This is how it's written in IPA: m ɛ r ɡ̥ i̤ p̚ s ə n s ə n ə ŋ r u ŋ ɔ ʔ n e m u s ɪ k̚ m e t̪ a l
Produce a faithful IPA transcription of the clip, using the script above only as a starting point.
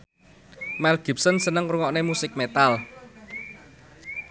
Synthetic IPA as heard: m ɛ l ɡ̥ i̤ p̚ s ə n s ə n ə ŋ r u ŋ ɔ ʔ n e m u s ɪ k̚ m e t̪ a l